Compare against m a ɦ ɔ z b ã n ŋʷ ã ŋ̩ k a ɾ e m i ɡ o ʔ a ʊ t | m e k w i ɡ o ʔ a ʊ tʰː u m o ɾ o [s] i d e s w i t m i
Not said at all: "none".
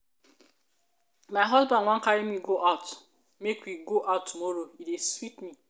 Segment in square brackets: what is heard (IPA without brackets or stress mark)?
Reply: none